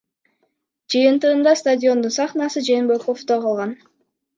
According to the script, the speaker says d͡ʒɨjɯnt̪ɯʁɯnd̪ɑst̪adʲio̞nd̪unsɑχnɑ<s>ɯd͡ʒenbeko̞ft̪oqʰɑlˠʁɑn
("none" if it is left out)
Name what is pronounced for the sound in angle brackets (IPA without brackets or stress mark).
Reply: s